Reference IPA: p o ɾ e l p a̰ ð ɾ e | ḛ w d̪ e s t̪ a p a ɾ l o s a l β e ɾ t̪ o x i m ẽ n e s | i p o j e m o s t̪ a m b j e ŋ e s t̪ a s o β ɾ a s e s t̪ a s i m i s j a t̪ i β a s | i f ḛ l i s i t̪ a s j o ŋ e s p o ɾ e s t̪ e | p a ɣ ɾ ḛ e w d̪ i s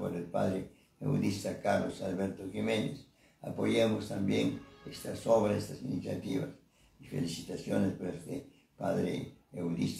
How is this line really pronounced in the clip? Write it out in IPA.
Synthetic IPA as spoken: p o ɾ e l p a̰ ð ɾ e | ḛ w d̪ i s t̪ a k a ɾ l o s a l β e ɾ t̪ o x i m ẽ n e s | a p o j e m o s t̪ a m b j e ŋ e s t̪ a s o β ɾ a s e s t̪ a s i n i s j a t̪ i β a s | i f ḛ l i s i t̪ a s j o n e s p o ɾ e s t̪ e | p a ð ɾ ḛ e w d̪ i s

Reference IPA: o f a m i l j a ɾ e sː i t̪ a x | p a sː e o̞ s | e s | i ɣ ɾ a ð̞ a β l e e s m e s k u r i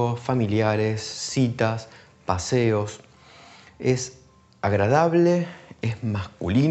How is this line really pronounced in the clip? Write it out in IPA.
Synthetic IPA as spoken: o f a m i l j a ɾ e sː i t̪ a s | p a s e o̞ s | e s | a ɣ ɾ a ð̞ a β l e e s m a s k u l i

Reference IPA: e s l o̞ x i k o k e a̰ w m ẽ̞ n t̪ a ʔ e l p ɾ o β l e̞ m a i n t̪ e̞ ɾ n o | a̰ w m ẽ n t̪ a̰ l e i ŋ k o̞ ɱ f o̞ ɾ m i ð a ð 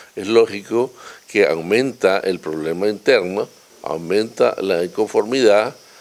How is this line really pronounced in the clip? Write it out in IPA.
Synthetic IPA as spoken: e s l o̞ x i k o k e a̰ w m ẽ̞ n t̪ a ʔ e l p ɾ o β l e̞ m a i n t̪ e̞ ɾ n o | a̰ w m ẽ n t̪ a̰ l a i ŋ k o̞ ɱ f o̞ ɾ m i ð a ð

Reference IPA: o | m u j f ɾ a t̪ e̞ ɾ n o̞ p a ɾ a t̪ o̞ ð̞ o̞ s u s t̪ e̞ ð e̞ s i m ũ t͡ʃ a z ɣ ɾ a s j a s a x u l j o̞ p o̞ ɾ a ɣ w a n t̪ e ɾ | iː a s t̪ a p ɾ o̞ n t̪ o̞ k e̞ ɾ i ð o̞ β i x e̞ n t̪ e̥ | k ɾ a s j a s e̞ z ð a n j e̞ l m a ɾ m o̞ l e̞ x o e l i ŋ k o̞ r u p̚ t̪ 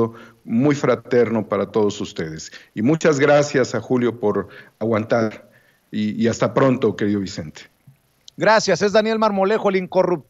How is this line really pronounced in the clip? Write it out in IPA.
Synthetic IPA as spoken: o | m u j f ɾ a t̪ e̞ ɾ n o̞ p a ɾ a t̪ o̞ ð̞ o̞ s u s t̪ e̞ ð e̞ s i m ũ t͡ʃ a z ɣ ɾ a s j a s a x u l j o̞ p o̞ ɾ a ɣ w a n t̪ a ɾ | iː a s t̪ a p ɾ o̞ n t̪ o̞ k e̞ ɾ i ð o̞ β i s e̞ n t̪ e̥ | ɡ ɾ a s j a s e̞ z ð a n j e̞ l m a ɾ m o̞ l e̞ x o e l i ŋ k o̞ r u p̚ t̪

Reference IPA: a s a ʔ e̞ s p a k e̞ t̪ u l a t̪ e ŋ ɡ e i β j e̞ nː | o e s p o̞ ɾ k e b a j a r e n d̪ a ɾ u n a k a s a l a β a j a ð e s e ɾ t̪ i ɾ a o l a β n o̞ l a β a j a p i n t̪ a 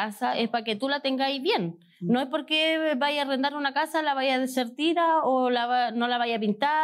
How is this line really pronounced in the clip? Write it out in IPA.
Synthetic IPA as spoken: a s a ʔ e̞ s p a k e̞ t̪ u l a t̪ e ŋ ɡ a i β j e̞ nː | o e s p o̞ ɾ k e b a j a r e n d̪ a ɾ u n a k a s a l a β a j a ð e s e ɾ t̪ i ɾ a o l a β n o̞ l a β a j a p i n t̪ a

